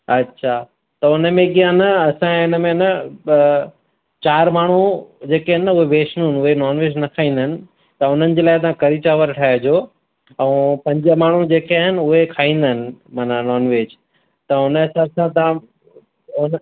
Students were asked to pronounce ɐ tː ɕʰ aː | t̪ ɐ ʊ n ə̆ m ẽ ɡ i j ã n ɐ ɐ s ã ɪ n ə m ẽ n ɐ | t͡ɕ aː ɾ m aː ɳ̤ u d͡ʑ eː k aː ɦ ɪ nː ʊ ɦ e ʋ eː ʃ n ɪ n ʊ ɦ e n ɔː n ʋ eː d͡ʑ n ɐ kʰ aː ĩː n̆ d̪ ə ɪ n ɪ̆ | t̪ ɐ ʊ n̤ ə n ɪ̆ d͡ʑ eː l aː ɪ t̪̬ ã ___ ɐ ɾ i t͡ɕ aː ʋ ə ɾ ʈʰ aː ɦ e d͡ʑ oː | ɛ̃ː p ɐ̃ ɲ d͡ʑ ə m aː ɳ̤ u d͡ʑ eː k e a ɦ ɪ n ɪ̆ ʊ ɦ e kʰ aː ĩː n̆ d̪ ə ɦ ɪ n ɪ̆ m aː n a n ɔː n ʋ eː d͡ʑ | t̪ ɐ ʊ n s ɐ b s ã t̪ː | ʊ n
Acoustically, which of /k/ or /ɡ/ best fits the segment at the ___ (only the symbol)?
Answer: k